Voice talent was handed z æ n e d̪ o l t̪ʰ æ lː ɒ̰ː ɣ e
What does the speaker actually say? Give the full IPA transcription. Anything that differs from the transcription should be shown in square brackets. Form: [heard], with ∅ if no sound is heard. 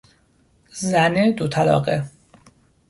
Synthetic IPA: z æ n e d̪ o [∅] t̪ʰ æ [l] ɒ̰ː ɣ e